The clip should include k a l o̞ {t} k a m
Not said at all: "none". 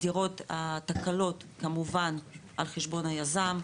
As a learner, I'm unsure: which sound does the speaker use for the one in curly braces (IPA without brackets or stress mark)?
t